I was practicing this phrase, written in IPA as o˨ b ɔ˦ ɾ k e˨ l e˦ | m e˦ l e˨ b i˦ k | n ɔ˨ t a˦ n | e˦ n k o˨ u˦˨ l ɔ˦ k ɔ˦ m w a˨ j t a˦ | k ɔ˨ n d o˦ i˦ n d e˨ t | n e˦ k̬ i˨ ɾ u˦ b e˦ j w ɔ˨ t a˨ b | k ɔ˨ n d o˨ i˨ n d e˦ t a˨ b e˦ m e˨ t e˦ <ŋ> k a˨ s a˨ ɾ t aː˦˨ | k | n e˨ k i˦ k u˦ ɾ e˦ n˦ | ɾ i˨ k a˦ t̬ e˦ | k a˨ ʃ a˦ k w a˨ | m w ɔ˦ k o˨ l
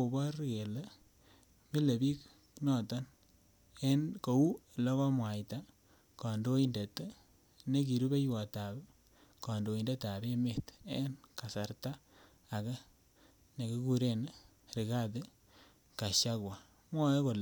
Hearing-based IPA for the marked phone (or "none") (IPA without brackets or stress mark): n